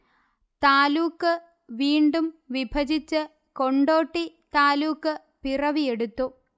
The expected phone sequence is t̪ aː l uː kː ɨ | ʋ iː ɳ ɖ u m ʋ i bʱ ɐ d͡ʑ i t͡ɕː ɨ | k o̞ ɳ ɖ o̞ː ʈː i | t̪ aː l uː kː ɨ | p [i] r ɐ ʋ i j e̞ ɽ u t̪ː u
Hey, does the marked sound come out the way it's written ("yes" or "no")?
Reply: yes